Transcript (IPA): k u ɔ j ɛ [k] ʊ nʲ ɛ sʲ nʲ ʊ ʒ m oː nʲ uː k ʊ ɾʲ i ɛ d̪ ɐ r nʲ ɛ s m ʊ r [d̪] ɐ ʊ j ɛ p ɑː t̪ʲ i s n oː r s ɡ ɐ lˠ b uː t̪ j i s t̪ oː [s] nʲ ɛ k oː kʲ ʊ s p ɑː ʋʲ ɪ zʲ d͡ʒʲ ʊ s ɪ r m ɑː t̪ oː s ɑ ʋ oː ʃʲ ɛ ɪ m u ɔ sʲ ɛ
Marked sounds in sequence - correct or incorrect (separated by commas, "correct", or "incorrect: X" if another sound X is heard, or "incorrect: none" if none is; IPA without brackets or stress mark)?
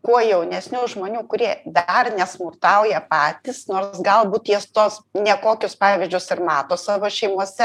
incorrect: none, incorrect: t̪, correct